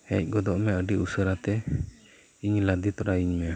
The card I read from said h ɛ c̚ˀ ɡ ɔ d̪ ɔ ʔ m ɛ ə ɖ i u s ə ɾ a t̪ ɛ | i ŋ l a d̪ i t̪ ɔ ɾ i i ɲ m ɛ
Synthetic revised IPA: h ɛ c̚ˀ ɡ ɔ d̪ ɔ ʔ m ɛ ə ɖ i u s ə ɾ a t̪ ɛ | i ɲ l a d̪ i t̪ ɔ ɾ a i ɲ m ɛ